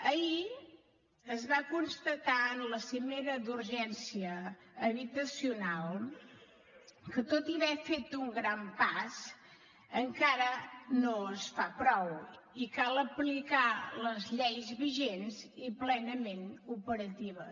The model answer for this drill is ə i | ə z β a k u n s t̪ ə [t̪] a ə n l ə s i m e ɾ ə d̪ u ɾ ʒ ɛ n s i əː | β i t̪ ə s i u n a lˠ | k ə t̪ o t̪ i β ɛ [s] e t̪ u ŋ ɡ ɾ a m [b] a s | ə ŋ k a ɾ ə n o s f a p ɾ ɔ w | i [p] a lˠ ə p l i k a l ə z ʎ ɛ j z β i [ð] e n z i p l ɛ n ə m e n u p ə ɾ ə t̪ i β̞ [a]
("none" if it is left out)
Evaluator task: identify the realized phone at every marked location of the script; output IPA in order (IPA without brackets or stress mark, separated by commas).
t̪, f, p, k, ʒ, ə